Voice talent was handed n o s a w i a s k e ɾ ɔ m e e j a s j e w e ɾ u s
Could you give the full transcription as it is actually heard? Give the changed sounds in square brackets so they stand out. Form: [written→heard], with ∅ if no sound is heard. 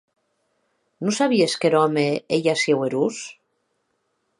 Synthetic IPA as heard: n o s a [w→β] i [a→e] s k e ɾ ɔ m e e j a s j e w e ɾ u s